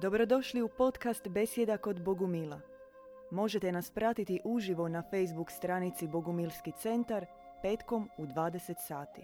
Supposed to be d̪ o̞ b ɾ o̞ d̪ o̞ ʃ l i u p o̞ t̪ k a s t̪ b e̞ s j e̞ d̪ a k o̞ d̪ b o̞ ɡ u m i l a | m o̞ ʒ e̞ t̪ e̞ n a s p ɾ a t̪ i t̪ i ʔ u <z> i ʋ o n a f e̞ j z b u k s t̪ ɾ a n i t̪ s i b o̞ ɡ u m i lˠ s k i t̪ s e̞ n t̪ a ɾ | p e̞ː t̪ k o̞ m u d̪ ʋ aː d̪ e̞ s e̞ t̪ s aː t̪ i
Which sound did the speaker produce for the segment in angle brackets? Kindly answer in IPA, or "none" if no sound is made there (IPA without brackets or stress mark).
ʒ